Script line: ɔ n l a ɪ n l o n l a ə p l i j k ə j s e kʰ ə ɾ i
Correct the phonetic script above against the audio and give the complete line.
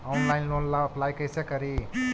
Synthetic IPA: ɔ n l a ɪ n l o n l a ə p l a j k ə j s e k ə ɾ i